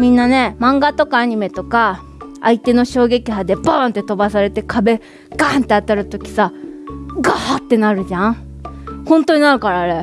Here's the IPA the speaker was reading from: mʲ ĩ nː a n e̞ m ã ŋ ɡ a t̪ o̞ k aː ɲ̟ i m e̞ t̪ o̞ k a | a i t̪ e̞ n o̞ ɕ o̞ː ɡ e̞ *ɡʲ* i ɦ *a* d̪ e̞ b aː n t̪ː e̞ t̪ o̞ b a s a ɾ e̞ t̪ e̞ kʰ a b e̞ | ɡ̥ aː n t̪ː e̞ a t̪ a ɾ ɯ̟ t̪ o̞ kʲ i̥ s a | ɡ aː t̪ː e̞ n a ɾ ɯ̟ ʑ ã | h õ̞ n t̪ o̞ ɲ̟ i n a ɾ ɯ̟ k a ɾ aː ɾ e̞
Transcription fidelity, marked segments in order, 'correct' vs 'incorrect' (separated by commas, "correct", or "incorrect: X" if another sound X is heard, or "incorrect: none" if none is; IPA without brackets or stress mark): incorrect: kʲ, correct